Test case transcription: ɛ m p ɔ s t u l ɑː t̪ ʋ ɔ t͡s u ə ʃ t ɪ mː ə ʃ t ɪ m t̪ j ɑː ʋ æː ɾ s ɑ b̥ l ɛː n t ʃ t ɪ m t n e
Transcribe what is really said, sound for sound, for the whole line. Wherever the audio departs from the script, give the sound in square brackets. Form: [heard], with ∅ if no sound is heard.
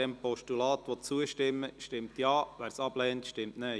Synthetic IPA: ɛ m p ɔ [ʃ] t u l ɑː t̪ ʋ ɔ t͡s u ə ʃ t ɪ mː ə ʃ t ɪ m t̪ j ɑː ʋ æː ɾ s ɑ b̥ l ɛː n t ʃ t ɪ m t n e